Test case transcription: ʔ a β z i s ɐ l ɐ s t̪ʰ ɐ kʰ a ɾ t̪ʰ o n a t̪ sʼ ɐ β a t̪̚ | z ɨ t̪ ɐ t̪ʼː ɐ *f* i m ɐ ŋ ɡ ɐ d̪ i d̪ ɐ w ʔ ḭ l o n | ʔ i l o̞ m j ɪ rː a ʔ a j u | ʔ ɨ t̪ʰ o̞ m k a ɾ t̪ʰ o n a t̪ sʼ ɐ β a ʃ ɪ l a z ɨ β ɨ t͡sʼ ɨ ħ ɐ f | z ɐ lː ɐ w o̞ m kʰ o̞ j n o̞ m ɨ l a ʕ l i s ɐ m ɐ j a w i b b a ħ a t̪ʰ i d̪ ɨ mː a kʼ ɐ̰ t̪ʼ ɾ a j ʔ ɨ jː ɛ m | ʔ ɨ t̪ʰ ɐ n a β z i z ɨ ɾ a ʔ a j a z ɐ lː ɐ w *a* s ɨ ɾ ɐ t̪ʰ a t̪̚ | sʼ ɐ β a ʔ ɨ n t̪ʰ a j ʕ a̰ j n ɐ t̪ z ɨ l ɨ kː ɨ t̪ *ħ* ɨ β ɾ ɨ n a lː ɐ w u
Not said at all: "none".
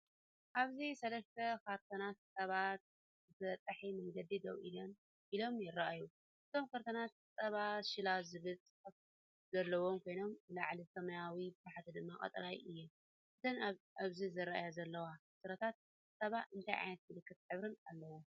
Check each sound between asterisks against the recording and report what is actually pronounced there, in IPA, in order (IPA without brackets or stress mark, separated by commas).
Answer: ħ, a, ħ